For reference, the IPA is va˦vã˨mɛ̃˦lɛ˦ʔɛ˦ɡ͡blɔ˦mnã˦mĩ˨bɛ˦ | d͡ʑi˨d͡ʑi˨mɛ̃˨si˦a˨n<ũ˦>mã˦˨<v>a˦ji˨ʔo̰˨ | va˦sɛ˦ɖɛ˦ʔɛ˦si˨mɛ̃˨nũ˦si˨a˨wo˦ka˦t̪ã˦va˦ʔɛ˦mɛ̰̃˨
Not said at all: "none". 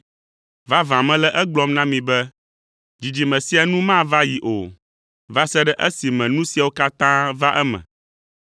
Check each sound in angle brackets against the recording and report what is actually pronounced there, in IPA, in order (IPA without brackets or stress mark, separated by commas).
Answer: ũ˦, v